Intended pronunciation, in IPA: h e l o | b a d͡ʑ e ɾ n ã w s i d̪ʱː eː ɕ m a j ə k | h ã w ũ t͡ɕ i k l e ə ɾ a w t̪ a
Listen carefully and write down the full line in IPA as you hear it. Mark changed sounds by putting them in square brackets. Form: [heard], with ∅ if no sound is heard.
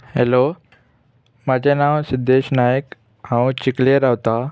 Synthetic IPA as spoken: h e l o | [m] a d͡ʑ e [∅] n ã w s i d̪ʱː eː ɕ [n] a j ə k | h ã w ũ t͡ɕ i k l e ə ɾ a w t̪ a